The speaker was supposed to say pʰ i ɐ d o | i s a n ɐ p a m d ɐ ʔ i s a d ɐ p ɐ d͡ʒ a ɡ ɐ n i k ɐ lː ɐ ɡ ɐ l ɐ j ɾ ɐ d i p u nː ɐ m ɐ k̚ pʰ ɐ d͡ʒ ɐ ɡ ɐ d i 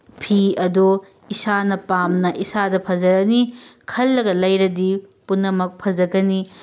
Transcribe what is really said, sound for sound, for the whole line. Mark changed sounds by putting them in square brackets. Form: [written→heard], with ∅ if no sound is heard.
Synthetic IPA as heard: pʰ i ɐ d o | i s a n ɐ p a m [d→n] ɐ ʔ i s a d ɐ [p→pʰ] ɐ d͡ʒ [a→ɐ] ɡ ɐ n i [k→kʰ] ɐ lː ɐ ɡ ɐ l ɐ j ɾ ɐ d i p u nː ɐ m ɐ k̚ pʰ ɐ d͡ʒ ɐ ɡ ɐ [d→n] i